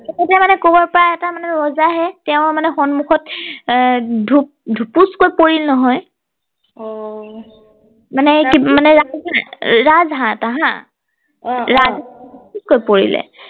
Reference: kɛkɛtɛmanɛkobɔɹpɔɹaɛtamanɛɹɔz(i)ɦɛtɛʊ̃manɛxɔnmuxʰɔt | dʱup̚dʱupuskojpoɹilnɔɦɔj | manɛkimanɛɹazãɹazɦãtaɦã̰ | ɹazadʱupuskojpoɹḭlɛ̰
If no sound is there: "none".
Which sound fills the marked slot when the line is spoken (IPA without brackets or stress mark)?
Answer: a